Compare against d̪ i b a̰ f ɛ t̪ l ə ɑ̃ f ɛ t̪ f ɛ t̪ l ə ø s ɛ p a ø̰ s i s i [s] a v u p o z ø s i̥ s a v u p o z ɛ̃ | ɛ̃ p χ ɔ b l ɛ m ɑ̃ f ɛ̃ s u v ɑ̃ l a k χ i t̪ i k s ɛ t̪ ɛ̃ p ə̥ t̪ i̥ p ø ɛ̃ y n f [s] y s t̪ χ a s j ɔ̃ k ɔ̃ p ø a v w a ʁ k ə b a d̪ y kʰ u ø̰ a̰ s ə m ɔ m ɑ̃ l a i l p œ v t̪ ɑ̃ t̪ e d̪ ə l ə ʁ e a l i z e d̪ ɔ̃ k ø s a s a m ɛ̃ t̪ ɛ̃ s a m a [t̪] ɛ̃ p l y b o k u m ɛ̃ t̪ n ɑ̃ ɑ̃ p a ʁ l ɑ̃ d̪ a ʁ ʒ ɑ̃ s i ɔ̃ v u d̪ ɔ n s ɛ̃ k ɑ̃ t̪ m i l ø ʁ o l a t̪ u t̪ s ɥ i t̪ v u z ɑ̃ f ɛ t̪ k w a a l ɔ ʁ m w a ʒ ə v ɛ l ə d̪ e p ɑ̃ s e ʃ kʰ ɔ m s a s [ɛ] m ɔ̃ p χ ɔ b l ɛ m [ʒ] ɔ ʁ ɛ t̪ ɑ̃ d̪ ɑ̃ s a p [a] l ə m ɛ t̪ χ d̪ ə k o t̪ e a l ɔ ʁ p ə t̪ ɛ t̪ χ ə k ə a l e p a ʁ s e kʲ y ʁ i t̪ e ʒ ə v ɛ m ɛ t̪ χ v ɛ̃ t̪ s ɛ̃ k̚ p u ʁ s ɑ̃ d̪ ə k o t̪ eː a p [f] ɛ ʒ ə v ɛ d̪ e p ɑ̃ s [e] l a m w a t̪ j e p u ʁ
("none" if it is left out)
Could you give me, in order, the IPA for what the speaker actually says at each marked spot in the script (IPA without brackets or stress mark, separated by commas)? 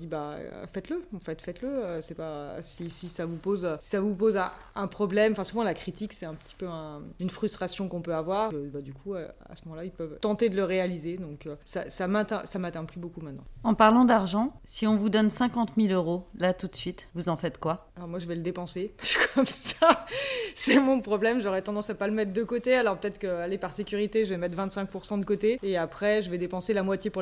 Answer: s, χ, t̪, ɛ, ʒ, a, χ, e